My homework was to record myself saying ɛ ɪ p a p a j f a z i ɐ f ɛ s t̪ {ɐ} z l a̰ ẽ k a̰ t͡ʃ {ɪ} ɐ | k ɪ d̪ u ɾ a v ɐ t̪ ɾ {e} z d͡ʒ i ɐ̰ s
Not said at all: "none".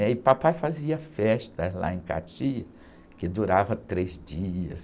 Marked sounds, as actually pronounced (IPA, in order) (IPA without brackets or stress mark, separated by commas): ɐ, i, e